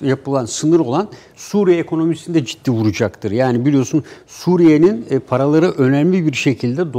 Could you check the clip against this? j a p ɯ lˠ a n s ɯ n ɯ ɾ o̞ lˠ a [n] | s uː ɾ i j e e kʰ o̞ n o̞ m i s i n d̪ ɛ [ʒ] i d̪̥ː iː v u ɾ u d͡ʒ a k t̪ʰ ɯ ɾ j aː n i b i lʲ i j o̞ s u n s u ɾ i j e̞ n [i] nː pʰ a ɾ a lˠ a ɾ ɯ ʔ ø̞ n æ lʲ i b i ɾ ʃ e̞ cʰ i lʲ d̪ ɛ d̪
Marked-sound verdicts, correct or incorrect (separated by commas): correct, incorrect, correct